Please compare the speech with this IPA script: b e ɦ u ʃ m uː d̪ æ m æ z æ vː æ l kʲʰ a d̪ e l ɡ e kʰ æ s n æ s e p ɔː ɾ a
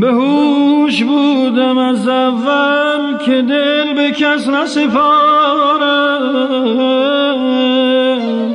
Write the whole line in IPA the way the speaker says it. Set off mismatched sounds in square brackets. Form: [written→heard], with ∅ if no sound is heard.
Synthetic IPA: b e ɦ u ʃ [m→b] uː d̪ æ m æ z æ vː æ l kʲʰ [a→e] d̪ e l [ɡ→b] e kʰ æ s n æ s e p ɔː ɾ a